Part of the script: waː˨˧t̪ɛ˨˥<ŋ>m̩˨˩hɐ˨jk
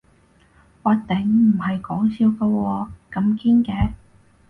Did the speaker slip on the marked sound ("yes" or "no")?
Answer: no